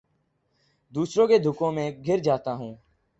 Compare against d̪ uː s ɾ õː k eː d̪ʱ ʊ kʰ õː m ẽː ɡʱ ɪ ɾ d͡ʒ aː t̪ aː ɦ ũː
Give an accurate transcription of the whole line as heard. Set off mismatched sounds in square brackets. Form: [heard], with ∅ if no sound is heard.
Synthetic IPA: d̪ uː s ɾ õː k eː d̪ʱ ʊ [k] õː m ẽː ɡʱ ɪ ɾ d͡ʒ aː t̪ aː ɦ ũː